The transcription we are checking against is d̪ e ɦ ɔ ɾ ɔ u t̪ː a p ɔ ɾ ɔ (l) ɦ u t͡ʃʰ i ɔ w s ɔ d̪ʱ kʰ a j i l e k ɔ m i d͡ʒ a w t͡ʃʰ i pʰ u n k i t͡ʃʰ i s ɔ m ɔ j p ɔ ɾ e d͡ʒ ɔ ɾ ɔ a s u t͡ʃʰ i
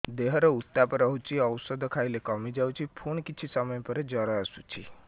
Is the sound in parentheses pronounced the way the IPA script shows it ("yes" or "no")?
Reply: no